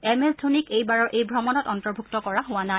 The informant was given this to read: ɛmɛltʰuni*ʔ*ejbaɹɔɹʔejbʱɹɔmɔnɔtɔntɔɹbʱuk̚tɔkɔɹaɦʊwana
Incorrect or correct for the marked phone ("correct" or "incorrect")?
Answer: incorrect